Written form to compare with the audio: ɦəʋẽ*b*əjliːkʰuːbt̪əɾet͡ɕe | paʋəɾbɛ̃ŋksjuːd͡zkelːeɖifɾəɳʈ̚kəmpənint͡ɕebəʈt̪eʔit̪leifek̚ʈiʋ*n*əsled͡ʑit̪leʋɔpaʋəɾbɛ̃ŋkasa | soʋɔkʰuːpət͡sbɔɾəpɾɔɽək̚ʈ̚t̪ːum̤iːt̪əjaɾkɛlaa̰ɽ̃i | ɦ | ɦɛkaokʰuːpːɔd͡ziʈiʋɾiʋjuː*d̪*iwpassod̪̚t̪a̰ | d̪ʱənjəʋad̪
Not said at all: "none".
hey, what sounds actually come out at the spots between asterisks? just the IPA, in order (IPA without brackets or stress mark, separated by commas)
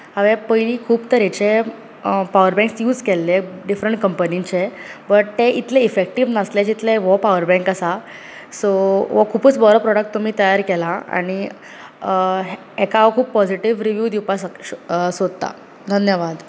p, n, d̪